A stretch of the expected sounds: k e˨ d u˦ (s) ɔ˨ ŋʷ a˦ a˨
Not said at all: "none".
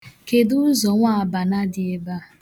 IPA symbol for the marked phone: z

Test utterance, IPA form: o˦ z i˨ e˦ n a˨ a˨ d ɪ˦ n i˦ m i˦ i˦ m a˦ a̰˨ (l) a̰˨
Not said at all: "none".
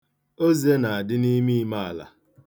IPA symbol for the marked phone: l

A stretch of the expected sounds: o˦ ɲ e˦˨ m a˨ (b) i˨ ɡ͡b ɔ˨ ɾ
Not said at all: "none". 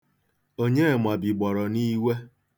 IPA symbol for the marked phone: b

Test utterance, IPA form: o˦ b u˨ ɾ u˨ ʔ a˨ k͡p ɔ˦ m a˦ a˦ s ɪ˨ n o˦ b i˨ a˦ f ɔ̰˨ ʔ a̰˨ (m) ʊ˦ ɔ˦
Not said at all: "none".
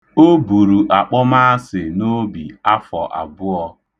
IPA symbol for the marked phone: b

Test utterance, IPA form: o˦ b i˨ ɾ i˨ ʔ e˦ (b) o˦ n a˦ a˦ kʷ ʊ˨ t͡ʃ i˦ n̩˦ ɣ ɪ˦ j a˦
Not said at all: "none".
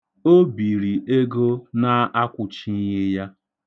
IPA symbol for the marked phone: ɡ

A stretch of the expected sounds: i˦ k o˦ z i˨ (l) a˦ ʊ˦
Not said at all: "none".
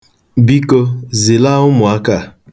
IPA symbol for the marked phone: l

